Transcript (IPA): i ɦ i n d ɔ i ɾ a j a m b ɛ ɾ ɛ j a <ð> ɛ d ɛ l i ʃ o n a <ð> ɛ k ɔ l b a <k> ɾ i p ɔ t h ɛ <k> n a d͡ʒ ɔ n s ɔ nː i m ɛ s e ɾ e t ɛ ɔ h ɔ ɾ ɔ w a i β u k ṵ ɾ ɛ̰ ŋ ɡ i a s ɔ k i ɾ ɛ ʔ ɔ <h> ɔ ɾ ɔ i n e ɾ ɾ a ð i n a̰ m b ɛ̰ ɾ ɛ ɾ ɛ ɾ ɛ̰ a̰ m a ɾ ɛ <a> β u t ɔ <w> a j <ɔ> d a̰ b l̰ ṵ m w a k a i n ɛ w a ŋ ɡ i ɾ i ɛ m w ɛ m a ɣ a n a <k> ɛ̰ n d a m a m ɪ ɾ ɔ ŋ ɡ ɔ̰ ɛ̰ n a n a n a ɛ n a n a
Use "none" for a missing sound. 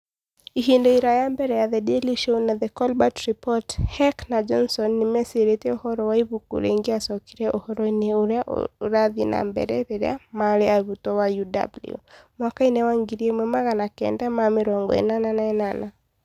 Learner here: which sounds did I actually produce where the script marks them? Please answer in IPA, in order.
ð, ð, t, k, h, a, w, u, k

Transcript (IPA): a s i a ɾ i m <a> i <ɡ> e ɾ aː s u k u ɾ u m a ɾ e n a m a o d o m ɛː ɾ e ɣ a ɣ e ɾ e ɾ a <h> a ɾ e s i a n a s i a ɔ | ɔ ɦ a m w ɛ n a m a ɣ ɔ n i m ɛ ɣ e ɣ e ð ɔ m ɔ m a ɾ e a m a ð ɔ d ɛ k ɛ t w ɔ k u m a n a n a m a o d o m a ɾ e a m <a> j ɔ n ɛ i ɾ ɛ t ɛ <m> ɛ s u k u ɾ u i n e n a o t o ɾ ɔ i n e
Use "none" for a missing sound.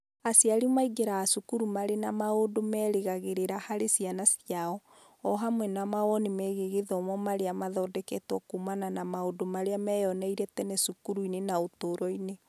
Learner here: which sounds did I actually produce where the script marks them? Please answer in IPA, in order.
a, ɡ, h, ɛ, n

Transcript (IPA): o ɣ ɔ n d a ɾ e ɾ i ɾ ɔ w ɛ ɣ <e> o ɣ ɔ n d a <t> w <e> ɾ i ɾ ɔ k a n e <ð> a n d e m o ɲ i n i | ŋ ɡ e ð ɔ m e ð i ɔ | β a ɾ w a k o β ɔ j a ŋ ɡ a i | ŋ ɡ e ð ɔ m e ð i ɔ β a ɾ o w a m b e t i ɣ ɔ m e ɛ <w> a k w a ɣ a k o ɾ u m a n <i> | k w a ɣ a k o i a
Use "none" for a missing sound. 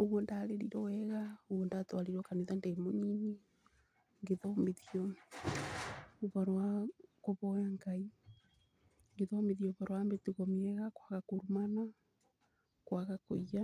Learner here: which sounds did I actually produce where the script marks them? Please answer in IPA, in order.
a, t, a, ð, ɣ, a

